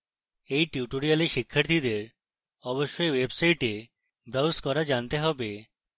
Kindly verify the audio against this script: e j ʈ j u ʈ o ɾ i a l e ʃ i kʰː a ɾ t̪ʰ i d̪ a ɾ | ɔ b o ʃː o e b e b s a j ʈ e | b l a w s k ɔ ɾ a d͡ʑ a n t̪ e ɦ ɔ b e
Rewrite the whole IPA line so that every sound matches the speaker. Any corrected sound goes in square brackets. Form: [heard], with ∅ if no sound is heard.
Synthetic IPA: e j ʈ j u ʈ o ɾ i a l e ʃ i kʰː a ɾ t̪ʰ i d̪ [e] ɾ | ɔ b o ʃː o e [w] e b s a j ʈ e | b [ɾ] a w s k ɔ ɾ a d͡ʑ a n t̪ e ɦ ɔ b e

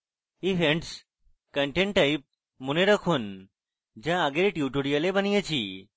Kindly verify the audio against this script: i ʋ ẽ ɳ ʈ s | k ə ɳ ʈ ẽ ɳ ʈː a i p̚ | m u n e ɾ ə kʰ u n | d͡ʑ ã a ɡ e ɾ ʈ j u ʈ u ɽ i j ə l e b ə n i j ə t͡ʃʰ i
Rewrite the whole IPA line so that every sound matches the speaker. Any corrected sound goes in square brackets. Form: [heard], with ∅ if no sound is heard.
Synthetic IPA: i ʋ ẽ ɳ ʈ s | k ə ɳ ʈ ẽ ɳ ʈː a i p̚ | m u n e ɾ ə kʰ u n | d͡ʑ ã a ɡ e ɾ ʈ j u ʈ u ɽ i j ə l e b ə n i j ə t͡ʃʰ i

